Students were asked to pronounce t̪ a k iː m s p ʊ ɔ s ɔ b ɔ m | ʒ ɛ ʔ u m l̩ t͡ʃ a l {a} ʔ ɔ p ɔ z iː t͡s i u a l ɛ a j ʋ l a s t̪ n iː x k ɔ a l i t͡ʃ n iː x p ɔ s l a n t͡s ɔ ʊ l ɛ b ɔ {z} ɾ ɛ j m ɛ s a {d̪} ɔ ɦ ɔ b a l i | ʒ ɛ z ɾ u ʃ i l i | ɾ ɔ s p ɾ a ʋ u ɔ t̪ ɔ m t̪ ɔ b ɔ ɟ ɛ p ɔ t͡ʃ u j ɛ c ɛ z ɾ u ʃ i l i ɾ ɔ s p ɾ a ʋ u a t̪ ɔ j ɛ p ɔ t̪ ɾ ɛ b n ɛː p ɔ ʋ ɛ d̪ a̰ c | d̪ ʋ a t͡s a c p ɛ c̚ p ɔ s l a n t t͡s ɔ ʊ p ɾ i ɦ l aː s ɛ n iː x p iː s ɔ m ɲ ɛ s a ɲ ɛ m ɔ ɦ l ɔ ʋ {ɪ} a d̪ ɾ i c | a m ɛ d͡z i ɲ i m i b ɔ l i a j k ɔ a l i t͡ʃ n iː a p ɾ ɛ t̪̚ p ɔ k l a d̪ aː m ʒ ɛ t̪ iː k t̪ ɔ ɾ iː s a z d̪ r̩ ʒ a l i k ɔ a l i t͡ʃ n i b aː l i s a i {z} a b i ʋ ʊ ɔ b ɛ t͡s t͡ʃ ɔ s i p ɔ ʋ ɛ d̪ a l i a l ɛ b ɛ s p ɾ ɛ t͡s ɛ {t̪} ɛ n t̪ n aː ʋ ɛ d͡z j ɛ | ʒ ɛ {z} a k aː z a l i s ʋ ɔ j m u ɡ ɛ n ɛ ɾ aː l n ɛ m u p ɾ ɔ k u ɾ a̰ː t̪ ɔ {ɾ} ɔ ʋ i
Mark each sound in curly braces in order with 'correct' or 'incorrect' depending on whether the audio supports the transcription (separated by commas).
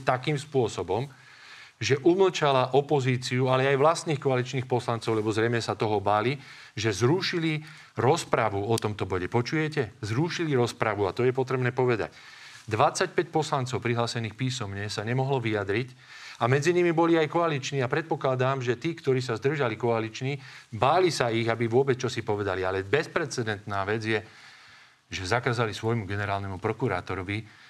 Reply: correct, correct, incorrect, incorrect, incorrect, incorrect, correct, correct